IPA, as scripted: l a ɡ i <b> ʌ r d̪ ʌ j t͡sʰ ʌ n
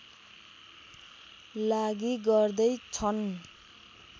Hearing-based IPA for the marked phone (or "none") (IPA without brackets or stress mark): ɡ